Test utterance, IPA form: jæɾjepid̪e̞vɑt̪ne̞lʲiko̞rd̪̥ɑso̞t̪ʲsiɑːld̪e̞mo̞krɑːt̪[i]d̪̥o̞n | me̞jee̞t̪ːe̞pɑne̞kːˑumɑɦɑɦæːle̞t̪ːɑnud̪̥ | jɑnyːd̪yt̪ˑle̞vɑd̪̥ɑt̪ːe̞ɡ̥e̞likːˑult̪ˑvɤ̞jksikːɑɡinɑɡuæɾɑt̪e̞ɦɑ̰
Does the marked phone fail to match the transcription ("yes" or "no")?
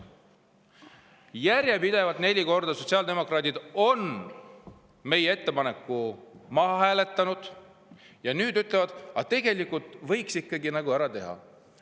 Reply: no